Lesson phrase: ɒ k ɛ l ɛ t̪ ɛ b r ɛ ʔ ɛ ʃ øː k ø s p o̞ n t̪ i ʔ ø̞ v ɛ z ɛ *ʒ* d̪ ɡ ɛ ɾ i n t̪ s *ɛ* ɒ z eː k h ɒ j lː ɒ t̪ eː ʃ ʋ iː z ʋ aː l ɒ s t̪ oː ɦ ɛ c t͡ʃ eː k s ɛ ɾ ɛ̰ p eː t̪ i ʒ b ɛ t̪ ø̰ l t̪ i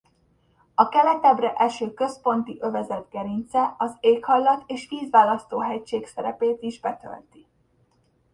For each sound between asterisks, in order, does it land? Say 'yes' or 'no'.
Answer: no, yes

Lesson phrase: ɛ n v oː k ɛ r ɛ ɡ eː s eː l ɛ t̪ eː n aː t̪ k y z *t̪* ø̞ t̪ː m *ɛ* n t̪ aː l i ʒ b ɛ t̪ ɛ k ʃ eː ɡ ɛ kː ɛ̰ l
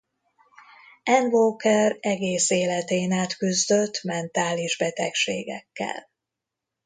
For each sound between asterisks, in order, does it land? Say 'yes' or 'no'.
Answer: no, yes

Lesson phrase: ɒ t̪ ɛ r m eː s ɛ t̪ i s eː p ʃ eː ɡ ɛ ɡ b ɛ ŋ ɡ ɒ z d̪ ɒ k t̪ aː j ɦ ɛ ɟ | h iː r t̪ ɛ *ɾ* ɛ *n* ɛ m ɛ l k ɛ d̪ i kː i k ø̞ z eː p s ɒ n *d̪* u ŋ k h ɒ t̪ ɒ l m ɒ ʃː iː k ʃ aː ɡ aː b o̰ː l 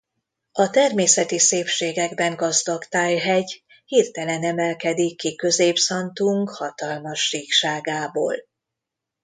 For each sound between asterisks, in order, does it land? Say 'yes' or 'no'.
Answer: no, yes, no

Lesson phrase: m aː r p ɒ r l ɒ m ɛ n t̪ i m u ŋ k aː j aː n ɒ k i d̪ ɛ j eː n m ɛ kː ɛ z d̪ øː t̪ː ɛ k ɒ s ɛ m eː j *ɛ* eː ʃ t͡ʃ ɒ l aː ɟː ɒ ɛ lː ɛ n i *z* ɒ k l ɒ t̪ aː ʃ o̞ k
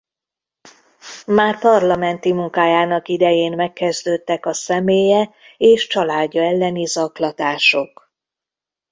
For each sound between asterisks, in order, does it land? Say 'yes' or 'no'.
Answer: yes, yes

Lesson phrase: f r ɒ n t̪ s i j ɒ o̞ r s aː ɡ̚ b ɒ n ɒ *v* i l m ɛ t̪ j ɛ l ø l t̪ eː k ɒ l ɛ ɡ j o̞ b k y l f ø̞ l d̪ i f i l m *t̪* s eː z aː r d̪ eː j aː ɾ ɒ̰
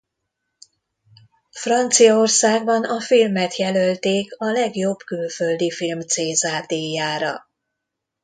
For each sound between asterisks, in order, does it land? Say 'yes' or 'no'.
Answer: no, yes

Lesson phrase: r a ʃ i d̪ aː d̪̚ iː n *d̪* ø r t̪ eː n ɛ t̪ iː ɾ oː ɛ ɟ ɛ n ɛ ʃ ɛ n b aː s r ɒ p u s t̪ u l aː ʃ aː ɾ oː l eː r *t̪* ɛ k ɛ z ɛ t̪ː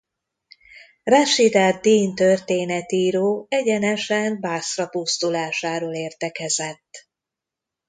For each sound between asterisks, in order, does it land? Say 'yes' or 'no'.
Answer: no, yes

